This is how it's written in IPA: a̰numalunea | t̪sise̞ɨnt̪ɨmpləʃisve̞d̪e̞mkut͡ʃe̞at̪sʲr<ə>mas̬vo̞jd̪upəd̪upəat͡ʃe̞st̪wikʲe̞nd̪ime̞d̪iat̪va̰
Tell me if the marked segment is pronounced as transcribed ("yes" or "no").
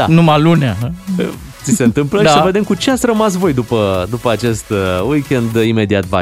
yes